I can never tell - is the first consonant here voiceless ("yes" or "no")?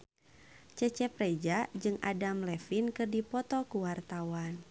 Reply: yes